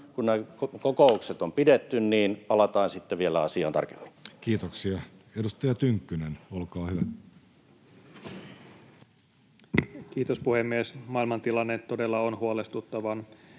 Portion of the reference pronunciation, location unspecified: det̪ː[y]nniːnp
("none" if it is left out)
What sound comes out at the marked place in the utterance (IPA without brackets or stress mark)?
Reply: y